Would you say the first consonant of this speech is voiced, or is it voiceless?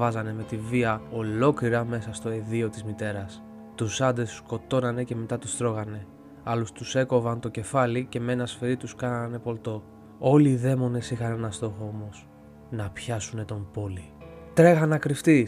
voiced